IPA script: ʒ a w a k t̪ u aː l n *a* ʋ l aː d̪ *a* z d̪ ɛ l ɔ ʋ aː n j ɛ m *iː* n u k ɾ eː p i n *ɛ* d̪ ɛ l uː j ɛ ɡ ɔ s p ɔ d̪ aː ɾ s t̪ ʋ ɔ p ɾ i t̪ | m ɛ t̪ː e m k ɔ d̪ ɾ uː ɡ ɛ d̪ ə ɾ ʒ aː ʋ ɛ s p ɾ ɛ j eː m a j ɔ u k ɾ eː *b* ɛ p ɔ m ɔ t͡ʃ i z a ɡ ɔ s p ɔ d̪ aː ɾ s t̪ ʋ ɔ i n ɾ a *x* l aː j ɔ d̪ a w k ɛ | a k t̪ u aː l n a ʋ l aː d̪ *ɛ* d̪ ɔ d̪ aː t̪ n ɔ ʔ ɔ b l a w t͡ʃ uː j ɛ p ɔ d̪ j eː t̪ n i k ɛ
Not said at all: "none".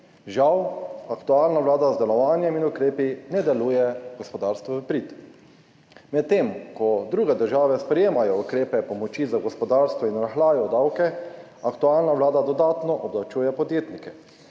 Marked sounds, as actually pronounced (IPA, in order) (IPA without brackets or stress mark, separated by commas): a, a, i, ɛ, p, x, a